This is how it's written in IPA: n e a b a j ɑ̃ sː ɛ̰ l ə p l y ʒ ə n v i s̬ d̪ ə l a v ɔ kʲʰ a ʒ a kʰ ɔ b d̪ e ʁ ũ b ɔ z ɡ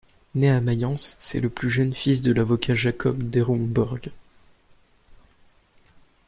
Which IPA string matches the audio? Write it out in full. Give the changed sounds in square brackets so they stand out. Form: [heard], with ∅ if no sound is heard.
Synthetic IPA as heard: n e a [m] a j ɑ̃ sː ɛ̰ l ə p l y ʒ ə n [f] i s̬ d̪ ə l a v ɔ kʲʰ a ʒ a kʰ ɔ b d̪ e ʁ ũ b ɔ [ʁ] ɡ